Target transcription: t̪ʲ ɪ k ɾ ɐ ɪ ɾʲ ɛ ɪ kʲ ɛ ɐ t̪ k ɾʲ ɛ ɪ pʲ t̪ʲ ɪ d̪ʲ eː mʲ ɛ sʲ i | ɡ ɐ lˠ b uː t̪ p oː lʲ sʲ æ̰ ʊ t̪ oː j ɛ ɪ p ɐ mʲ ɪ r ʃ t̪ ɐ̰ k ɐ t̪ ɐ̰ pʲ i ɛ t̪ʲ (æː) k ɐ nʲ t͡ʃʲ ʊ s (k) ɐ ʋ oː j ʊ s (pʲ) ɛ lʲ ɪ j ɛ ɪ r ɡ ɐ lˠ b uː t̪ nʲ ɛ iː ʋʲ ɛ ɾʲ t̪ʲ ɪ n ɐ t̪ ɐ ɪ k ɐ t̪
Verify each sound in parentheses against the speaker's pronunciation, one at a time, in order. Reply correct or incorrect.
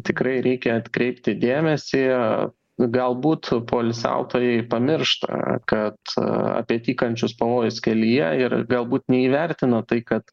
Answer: incorrect: iː, incorrect: p, incorrect: kʲ

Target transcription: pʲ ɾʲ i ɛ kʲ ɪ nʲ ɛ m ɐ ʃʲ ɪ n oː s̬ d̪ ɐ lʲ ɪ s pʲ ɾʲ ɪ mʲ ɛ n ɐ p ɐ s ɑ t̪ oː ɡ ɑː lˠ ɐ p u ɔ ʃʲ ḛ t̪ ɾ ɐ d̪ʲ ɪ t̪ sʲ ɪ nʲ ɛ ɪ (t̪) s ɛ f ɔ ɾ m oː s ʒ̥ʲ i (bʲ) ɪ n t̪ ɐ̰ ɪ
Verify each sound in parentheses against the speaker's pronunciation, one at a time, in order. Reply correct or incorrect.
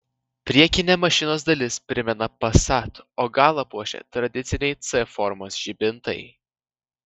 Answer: correct, correct

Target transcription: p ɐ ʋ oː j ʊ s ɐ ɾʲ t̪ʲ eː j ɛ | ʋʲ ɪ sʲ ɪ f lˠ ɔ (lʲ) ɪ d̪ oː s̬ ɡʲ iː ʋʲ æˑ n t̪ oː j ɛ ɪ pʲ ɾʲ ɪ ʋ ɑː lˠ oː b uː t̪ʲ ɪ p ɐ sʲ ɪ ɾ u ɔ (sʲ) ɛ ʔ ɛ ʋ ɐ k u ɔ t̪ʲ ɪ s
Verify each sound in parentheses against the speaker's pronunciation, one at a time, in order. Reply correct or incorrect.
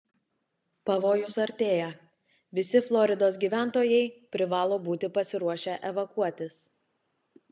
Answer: incorrect: ɾʲ, incorrect: ʃʲ

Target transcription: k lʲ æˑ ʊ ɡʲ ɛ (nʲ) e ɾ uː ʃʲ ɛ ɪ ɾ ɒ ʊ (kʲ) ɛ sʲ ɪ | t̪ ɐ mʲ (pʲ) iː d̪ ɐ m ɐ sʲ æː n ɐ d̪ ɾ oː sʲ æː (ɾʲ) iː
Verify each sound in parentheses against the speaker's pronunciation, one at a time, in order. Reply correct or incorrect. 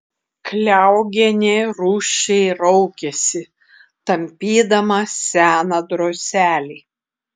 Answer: correct, correct, correct, incorrect: lʲ

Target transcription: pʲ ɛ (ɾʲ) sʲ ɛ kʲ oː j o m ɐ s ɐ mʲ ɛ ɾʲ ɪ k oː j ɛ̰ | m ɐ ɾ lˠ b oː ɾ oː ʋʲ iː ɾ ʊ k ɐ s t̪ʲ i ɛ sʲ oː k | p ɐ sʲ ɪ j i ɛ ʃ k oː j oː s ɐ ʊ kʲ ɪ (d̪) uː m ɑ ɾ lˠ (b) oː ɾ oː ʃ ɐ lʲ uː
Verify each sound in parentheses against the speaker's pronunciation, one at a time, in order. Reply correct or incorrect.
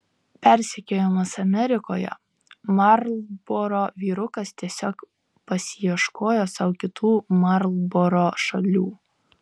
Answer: correct, incorrect: t̪, correct

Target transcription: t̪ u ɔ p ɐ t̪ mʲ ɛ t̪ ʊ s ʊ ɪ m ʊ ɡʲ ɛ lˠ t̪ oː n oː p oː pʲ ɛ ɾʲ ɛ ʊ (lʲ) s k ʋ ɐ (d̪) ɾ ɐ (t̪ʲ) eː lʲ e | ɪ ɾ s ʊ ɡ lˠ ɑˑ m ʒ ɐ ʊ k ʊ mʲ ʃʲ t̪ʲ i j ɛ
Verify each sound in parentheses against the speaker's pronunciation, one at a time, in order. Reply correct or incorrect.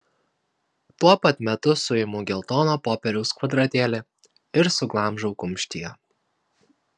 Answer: incorrect: none, correct, correct

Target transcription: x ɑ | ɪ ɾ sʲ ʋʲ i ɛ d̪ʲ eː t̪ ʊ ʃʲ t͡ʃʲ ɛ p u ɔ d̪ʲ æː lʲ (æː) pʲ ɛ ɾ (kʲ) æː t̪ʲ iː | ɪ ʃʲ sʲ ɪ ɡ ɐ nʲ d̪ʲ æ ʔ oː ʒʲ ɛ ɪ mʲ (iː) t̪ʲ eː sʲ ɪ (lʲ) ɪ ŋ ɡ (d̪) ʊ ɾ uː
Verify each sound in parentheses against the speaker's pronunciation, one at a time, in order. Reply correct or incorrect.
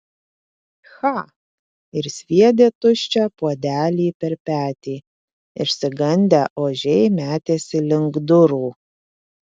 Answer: incorrect: iː, incorrect: pʲ, incorrect: æː, correct, correct

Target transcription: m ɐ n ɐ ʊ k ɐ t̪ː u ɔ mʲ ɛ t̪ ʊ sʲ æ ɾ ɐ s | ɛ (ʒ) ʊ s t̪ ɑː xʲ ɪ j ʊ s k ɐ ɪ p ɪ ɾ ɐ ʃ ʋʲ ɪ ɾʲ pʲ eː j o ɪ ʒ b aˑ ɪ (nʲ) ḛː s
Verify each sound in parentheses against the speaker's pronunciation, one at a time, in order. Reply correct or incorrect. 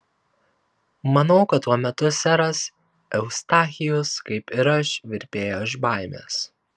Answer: incorrect: none, incorrect: mʲ

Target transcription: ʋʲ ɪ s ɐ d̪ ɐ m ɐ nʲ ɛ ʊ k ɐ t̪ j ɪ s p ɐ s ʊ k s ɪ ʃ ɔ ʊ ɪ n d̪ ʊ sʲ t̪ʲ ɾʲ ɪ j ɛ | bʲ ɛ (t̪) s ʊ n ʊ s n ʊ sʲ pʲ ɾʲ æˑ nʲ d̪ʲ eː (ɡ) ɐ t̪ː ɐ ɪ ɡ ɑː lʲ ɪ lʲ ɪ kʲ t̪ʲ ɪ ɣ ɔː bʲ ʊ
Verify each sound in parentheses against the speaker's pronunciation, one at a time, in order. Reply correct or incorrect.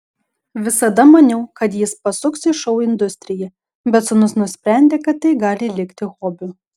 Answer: correct, incorrect: k

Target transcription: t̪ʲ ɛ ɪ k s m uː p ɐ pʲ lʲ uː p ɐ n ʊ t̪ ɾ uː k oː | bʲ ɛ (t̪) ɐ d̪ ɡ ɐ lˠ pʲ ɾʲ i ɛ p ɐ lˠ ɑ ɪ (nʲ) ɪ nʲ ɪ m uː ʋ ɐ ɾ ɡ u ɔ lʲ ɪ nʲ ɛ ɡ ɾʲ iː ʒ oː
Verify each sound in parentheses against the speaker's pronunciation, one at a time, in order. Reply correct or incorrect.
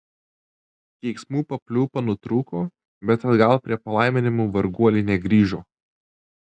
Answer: correct, incorrect: mʲ

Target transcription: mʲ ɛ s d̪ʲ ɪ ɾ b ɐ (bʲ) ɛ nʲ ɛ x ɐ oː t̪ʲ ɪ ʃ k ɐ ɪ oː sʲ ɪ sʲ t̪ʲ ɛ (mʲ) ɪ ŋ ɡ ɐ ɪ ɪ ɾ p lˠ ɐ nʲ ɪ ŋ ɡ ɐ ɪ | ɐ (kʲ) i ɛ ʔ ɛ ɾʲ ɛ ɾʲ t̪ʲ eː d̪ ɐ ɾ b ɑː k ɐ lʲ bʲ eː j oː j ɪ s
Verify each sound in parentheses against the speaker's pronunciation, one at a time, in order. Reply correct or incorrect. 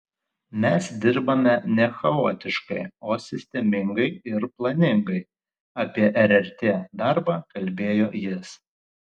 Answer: incorrect: mʲ, correct, incorrect: pʲ

